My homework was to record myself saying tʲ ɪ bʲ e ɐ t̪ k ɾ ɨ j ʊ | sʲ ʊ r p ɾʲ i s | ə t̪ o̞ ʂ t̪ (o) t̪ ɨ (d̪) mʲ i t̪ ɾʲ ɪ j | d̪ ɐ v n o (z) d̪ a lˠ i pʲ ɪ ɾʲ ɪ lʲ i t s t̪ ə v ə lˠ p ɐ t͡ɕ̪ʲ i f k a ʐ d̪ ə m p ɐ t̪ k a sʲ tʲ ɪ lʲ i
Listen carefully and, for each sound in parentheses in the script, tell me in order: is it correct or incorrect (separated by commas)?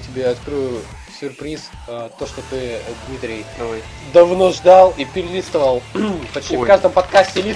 correct, correct, incorrect